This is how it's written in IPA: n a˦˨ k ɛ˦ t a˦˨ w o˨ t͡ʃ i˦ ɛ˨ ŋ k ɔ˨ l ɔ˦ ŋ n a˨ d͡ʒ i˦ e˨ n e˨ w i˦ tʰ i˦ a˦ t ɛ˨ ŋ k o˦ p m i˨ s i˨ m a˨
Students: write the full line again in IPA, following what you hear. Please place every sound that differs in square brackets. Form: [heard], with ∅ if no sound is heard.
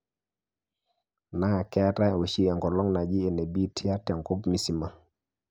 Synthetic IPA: n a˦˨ k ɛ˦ t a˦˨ w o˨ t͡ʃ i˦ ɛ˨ ŋ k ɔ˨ l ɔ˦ ŋ n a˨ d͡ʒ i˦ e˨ n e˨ [b] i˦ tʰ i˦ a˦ t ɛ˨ ŋ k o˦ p m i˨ s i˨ m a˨